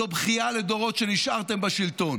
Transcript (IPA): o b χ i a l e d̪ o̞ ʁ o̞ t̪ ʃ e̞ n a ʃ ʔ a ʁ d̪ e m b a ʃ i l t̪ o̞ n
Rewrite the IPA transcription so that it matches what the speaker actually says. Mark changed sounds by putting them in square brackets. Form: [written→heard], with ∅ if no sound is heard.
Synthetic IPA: o b χ i a l e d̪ o̞ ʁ o̞ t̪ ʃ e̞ n [a→i] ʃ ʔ a ʁ [d̪→t̪] e m b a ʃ i l t̪ o̞ n